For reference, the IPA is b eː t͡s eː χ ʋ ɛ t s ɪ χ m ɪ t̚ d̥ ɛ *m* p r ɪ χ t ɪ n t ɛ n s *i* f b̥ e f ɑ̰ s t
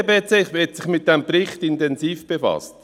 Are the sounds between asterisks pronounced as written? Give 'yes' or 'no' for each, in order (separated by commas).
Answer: yes, no